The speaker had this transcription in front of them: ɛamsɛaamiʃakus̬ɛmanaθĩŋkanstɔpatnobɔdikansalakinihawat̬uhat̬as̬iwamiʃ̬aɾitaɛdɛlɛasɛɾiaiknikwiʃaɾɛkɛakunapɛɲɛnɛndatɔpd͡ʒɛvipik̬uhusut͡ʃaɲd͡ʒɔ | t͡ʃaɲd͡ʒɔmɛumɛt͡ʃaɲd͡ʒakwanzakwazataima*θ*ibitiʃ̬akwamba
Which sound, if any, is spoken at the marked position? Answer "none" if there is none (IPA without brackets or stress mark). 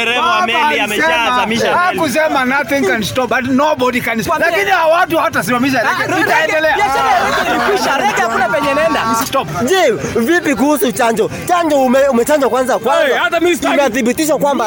θ